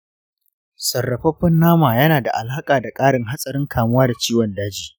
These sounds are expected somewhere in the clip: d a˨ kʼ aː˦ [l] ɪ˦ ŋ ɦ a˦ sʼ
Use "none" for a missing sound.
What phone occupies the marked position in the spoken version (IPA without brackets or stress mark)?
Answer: ɽ